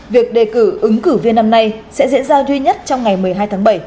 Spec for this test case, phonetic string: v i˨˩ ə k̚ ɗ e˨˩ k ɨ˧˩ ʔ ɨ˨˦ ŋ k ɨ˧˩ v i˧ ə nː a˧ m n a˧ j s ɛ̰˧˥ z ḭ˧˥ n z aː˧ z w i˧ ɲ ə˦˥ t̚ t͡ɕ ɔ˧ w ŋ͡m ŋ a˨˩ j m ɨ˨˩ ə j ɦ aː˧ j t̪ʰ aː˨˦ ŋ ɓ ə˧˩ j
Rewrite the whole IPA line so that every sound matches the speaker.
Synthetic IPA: v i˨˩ ə k̚ ɗ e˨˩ k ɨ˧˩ ʔ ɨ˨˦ ŋ k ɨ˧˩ v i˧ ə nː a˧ m n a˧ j s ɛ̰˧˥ z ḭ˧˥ n z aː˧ z w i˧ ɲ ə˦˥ t̚ t͡ɕ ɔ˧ w ŋ͡m ŋ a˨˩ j m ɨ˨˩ ə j ɦ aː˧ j t̪ʰ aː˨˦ ŋ ɓ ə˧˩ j